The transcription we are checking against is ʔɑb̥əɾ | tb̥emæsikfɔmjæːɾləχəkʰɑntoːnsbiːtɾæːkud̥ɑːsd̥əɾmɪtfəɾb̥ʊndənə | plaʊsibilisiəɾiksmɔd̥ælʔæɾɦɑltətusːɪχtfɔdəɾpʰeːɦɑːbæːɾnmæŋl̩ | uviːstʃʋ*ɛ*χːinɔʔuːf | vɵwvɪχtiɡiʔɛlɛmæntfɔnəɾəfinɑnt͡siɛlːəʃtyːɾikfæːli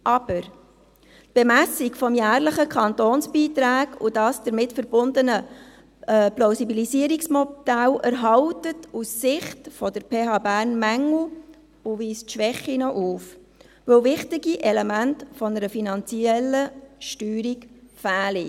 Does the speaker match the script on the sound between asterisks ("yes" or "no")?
yes